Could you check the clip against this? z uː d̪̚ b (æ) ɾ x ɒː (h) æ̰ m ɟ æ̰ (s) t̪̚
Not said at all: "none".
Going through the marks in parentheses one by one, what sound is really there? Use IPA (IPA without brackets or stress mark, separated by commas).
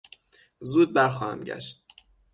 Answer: æ, h, ʃ